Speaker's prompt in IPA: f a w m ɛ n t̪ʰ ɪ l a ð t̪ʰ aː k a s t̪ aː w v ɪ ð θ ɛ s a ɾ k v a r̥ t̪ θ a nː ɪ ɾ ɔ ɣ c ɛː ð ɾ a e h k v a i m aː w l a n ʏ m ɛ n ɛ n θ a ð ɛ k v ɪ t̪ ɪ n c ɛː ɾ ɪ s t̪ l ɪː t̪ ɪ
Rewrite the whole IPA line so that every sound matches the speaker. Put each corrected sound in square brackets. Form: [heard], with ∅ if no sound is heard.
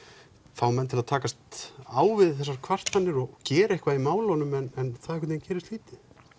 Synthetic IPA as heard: f a w m ɛ n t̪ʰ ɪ l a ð t̪ʰ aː k a s t̪ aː w v ɪ ð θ ɛ s a ɾ [kʰ] v a r̥ t̪ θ a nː ɪ ɾ ɔ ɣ c ɛː [∅] ɾ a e h k v a i m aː w l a n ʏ m ɛ n ɛ n θ a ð ɛ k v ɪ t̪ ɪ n c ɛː ɾ ɪ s t̪ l [iː] t̪ ɪ